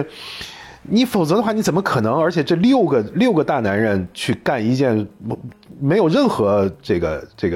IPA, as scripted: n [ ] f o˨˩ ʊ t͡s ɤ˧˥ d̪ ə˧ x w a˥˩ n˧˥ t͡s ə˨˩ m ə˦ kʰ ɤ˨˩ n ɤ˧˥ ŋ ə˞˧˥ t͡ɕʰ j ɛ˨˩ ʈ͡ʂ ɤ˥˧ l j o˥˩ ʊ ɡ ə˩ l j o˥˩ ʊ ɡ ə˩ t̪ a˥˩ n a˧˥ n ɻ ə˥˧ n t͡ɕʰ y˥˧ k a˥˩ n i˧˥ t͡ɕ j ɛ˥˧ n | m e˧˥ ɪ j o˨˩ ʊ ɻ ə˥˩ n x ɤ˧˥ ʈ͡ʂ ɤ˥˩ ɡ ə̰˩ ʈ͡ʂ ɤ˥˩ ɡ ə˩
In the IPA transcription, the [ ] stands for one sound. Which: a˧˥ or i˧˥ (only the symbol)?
i˧˥